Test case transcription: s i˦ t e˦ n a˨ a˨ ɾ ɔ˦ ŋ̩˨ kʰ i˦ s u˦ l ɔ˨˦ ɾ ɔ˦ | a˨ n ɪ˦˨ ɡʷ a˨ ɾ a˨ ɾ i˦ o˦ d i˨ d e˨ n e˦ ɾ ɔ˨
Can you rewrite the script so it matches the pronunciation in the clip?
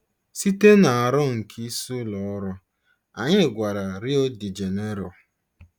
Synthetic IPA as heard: s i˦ t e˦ n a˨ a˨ ɾ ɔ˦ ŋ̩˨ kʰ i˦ s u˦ l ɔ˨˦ ɾ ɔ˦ | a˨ ɲ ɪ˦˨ ɡʷ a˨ ɾ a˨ ɾ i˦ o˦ d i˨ d͡ʒ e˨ n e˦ ɾ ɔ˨